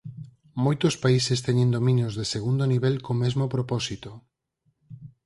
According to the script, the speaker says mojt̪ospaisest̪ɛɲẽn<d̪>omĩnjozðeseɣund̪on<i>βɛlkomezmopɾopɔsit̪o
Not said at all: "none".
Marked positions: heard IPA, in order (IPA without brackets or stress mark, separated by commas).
d̪, i